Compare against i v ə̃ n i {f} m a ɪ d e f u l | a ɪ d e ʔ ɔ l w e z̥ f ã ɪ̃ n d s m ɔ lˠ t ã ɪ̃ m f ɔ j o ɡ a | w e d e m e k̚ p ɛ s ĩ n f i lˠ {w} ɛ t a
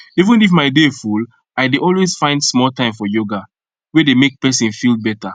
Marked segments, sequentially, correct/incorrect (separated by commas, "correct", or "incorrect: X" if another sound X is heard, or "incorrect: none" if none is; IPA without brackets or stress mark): correct, incorrect: b